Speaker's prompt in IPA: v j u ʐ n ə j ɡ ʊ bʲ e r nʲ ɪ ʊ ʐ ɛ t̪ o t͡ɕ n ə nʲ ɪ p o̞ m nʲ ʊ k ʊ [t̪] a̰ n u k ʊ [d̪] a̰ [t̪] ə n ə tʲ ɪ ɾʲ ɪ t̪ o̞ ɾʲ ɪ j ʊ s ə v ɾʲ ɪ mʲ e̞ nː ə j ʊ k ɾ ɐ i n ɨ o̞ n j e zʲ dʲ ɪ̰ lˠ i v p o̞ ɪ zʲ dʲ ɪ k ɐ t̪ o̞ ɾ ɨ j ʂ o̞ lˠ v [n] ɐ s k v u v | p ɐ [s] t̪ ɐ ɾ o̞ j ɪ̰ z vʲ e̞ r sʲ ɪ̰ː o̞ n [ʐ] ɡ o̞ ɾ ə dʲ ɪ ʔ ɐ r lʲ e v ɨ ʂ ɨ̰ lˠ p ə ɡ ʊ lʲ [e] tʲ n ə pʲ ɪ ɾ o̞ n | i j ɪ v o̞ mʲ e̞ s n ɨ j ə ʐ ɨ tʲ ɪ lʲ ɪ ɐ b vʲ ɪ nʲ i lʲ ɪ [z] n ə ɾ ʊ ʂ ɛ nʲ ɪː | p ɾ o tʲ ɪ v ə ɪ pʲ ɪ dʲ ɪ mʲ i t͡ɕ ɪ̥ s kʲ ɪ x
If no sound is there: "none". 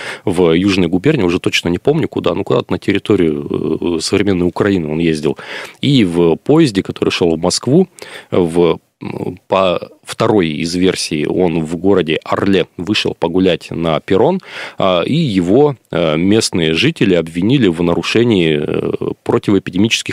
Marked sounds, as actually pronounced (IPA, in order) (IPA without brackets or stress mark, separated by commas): d̪, d̪, t̪, m, f, v, æ, v